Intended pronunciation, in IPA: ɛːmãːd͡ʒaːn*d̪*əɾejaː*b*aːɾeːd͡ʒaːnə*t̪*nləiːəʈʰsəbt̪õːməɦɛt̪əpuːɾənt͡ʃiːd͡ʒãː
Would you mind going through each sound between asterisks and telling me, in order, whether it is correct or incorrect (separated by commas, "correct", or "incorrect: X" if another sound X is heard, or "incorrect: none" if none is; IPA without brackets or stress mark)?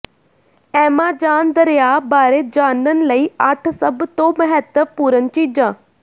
correct, correct, incorrect: none